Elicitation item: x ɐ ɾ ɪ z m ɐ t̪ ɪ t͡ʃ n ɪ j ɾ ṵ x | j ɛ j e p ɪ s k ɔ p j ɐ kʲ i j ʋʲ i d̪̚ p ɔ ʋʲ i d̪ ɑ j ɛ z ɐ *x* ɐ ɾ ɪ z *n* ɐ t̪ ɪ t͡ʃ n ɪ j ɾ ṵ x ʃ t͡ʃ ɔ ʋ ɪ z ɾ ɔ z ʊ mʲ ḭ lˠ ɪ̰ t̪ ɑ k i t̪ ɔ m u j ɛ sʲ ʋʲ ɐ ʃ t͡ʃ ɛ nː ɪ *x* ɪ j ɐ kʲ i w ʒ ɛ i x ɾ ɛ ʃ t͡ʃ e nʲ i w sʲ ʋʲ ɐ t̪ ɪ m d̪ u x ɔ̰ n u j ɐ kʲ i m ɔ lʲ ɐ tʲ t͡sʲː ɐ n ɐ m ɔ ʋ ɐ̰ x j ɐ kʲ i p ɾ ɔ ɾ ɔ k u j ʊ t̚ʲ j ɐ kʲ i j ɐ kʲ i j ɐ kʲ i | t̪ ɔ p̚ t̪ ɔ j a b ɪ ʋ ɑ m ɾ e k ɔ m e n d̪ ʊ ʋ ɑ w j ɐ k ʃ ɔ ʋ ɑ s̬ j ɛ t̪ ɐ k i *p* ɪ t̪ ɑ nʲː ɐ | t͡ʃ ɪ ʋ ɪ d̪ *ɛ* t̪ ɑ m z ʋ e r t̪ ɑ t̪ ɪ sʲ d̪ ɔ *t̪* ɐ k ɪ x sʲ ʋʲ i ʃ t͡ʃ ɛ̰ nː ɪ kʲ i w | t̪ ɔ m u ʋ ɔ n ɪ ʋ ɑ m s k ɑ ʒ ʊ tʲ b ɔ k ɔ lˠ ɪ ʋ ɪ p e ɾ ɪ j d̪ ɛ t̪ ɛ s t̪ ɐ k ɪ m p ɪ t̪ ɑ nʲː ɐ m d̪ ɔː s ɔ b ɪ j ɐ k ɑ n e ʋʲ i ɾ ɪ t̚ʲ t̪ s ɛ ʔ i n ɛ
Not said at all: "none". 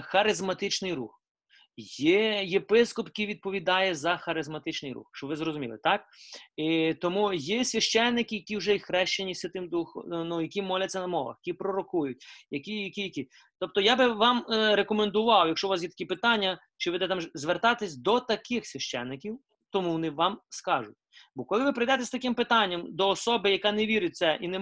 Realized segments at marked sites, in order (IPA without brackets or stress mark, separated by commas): x, m, k, p, ɛ, t̪